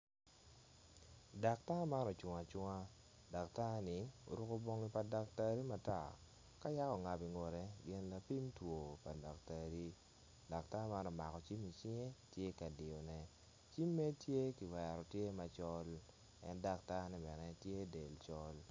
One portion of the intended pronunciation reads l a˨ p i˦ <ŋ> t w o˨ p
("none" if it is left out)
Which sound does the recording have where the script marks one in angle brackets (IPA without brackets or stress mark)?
m